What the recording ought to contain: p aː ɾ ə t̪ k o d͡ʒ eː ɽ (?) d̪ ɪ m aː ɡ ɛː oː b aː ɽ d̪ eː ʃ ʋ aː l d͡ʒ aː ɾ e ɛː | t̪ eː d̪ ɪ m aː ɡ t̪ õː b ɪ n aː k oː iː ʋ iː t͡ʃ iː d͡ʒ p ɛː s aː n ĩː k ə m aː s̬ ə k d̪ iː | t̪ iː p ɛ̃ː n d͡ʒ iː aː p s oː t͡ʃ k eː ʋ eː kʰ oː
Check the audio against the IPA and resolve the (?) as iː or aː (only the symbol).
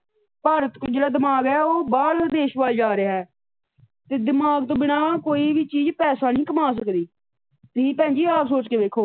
aː